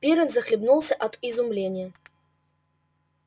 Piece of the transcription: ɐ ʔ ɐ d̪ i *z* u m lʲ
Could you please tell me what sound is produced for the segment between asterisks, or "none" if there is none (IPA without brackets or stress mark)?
z